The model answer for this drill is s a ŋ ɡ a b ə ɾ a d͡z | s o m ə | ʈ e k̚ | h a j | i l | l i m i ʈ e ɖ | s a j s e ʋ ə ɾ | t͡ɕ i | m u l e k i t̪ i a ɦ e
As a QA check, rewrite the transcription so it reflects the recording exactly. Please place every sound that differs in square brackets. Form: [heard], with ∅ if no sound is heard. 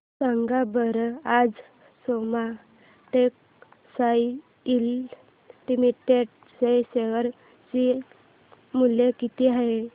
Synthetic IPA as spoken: s a ŋ ɡ a b ə ɾ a d͡z | s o m [a] | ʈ e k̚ | [s] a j | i l | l i m i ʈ e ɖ | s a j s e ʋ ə ɾ | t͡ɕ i | m u l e k i t̪ i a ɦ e